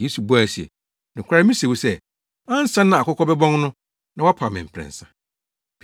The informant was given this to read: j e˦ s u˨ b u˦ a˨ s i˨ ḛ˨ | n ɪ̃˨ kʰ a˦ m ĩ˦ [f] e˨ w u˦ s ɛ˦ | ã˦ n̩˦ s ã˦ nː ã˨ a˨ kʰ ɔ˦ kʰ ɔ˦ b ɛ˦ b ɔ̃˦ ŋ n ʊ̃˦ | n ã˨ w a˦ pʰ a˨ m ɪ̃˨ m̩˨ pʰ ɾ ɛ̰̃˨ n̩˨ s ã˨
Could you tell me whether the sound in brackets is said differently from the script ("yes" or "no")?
yes